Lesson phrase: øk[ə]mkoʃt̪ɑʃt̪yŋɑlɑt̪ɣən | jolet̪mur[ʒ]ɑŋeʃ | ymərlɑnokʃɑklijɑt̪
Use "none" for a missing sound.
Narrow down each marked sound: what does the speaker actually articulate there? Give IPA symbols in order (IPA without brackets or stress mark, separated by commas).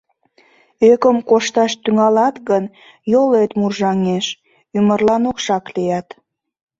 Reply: ə, ʒ